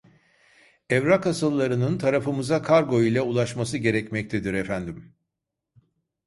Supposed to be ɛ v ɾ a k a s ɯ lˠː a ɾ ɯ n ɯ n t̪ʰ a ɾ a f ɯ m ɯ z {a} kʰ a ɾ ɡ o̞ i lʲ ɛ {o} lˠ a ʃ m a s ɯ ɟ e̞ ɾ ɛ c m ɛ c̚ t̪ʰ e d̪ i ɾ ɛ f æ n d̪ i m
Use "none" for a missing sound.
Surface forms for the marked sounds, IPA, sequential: a, u

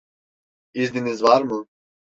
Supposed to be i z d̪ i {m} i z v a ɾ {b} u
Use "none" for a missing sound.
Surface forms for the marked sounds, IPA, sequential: n, m

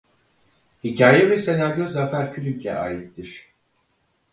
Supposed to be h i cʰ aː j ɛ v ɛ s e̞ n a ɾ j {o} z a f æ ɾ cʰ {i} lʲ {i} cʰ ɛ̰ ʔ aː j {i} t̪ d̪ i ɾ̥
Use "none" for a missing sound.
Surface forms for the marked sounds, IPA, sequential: o, y, y, i

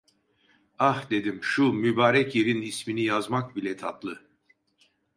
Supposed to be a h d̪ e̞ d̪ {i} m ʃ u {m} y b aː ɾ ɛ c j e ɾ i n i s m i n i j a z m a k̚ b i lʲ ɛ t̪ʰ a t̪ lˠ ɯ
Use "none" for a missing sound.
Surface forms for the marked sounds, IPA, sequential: i, m

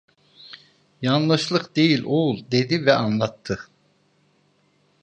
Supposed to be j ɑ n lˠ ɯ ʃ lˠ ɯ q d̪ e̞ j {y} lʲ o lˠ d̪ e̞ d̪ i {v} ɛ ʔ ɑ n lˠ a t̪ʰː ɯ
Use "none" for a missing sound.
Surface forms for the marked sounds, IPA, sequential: i, v

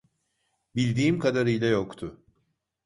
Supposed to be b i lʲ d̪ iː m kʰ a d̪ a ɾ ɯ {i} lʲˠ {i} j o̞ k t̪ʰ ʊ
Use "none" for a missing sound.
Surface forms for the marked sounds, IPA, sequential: j, a

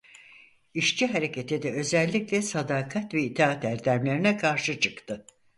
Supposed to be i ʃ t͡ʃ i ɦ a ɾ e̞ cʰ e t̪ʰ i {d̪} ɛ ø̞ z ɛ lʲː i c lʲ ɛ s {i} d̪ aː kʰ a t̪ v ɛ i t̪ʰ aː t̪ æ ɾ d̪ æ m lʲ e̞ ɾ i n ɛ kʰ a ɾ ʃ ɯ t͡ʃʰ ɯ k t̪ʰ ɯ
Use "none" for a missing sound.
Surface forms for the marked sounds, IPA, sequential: d̪, a

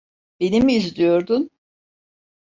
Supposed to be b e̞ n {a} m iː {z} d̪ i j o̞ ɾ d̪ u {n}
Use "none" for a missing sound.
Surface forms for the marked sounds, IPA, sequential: i, z, n

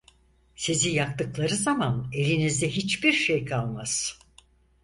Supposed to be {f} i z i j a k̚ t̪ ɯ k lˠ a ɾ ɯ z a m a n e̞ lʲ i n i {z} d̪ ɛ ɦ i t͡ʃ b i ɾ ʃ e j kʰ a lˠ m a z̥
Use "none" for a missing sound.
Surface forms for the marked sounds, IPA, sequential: s, z

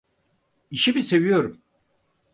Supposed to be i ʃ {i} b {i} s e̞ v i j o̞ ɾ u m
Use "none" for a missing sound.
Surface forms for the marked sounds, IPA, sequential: i, i

